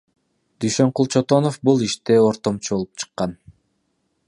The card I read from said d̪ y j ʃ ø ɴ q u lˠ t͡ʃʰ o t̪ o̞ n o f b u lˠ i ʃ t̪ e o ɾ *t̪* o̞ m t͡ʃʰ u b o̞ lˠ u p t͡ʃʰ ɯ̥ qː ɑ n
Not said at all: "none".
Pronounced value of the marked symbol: t̪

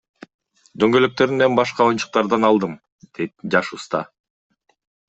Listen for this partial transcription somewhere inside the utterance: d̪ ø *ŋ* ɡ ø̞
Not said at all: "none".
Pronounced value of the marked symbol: ŋ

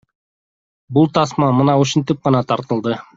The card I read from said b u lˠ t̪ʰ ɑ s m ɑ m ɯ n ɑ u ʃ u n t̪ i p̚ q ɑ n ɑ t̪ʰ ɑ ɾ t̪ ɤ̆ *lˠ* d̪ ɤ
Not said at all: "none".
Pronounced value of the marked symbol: lˠ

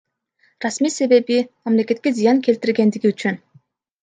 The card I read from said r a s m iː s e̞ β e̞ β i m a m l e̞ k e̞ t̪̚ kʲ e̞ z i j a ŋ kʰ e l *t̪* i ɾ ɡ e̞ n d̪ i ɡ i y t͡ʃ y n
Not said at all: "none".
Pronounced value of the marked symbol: t̪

